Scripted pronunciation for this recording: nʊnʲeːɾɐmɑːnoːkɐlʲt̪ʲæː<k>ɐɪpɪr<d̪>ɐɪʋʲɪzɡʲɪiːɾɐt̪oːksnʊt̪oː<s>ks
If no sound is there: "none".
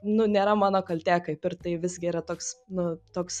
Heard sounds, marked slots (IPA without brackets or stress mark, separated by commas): k, t̪, none